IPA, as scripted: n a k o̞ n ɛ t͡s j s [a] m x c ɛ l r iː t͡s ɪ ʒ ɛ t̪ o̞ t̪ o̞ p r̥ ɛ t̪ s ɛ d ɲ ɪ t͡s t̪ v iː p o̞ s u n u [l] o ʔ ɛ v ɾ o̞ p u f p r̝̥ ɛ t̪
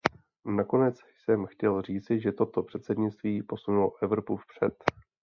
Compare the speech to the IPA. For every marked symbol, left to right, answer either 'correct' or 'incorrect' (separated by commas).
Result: incorrect, correct